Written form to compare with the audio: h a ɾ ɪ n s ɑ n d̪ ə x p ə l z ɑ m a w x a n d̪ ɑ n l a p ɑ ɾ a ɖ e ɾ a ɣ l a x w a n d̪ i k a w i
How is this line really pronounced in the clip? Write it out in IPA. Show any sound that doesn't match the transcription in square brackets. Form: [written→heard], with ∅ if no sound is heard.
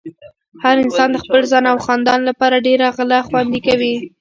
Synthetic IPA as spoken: h a ɾ ɪ n s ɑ n d̪ ə x p ə l z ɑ [m→n] a w x [a→ɑ] n d̪ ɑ n l a p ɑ ɾ a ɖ e ɾ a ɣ l a x w a n d̪ i k a w i